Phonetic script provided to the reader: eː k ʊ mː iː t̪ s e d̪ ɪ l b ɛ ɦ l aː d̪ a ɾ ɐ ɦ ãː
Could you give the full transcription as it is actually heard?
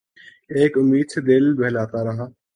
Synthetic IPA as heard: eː k ʊ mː iː d̪ s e d̪ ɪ l b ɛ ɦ l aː t̪ a ɾ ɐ ɦ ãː